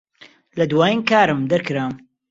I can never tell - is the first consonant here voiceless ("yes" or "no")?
no